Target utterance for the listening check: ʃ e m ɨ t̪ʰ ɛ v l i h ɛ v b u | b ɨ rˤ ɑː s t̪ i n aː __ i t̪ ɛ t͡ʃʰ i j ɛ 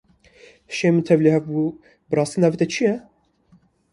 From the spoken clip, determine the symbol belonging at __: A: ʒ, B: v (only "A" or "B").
B